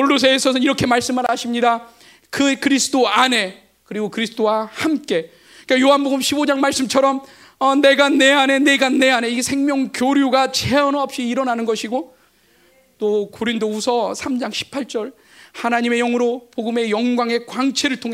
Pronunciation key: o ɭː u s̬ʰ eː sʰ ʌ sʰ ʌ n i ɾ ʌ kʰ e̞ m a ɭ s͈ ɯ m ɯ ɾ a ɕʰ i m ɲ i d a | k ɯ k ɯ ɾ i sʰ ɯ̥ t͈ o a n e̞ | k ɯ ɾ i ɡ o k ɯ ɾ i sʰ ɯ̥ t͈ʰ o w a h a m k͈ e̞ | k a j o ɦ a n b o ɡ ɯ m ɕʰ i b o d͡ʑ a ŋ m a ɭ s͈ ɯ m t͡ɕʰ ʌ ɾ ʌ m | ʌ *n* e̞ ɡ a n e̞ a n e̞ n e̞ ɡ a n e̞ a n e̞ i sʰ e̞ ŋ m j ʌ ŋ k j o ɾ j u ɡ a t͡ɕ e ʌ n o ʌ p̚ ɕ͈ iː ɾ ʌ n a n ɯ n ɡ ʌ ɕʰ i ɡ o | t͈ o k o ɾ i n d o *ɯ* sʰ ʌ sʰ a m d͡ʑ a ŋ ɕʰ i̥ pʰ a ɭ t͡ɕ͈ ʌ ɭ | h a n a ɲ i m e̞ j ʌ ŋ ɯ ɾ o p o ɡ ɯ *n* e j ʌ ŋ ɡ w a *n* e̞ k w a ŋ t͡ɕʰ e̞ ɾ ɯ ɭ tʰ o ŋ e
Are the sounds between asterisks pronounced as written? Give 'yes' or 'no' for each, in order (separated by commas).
yes, no, no, no